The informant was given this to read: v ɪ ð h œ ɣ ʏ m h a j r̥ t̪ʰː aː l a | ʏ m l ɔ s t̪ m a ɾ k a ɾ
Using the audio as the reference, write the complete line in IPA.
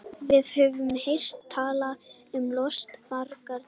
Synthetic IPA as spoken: v ɪ ð h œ v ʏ m h e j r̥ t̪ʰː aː l a | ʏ m l ɔ s t̪ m a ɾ k a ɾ

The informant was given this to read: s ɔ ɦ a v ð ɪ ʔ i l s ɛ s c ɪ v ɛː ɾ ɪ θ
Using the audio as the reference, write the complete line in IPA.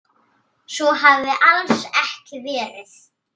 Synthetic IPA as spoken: s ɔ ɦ a v ð ɪ ʔ a l s ɛ h c ɪ v ɛː ɾ ɪ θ

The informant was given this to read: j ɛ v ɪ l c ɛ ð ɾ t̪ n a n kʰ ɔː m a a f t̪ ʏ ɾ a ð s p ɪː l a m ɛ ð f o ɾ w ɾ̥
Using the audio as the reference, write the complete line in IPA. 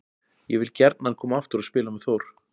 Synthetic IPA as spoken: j ɛ v ɪ l c ɛ ɾ t̪ n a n kʰ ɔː m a a f t̪ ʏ ɾ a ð s p ɪː l a m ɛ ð θ o w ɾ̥

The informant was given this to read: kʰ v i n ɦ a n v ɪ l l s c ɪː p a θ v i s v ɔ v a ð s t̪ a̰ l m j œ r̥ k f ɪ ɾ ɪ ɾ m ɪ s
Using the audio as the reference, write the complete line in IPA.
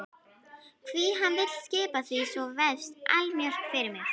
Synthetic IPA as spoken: kʰ v i ɦ a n v ɪ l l s c ɪː p a θ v i s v ɔ v ɛ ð s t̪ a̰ l m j œ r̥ k f ɪ ɾ ɪ ɾ m ɪ x

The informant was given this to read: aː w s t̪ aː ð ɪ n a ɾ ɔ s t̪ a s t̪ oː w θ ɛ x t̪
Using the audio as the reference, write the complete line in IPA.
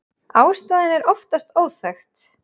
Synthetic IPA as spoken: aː w s t̪ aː ð ɪ n ɛ ɾ ɔ f t̪ a s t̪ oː w θ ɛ x t̪

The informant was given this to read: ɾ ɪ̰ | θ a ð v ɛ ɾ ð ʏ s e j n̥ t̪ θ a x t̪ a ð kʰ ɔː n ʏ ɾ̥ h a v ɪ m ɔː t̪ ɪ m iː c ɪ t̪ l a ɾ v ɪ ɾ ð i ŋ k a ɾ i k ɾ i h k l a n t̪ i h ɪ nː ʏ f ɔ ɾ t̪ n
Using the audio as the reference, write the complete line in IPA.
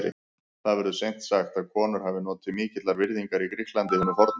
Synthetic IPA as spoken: ɾ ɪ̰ | θ a ð v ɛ ɾ ð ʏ s e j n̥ t̪ s a x t̪ a ð kʰ ɔː n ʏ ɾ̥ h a v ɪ n ɔː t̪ ɪ m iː c ɪ t̪ l a ɾ v ɪ ɾ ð i ŋ k a ɾ i k ɾ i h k l a n t̪ ɪ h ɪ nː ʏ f ɔ ɾ t̪ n

